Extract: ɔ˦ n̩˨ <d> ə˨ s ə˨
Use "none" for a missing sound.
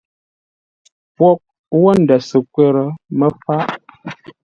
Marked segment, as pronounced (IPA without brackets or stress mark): d